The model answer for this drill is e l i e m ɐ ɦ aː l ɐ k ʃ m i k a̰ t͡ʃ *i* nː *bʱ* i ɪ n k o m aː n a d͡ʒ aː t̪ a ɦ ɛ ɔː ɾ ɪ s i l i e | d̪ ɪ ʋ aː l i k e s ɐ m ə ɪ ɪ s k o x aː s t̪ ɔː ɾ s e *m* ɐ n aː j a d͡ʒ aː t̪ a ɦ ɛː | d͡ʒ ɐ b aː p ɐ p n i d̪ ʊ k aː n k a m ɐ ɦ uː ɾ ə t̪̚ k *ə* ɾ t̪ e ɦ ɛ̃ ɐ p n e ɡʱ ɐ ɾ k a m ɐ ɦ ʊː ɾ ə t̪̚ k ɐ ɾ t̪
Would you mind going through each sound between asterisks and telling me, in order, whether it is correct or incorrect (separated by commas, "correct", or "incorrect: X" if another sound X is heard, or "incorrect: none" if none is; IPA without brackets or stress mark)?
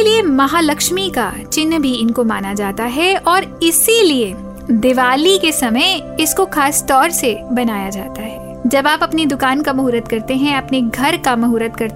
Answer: incorrect: ɪ, correct, incorrect: b, incorrect: ɐ